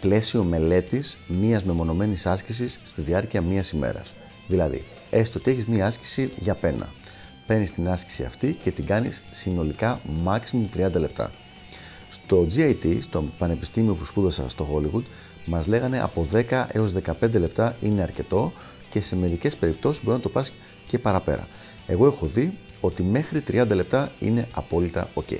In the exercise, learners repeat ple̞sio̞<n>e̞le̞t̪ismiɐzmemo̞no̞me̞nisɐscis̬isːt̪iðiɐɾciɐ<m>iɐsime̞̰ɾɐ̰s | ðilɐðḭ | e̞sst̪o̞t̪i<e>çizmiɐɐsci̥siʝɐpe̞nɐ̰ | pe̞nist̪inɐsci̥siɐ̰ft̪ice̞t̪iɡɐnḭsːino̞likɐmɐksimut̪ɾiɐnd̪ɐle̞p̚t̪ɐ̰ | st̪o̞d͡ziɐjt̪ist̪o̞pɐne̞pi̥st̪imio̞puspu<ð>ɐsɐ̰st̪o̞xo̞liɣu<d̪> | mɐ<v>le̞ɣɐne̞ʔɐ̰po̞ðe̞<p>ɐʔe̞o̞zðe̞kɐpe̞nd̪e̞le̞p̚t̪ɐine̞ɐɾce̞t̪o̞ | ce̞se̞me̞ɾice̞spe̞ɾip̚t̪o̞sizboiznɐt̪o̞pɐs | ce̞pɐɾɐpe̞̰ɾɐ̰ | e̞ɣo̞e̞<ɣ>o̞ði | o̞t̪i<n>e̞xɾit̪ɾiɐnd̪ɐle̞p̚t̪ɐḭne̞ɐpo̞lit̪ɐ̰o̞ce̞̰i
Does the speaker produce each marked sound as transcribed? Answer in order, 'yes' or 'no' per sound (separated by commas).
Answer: no, yes, yes, yes, yes, no, no, no, no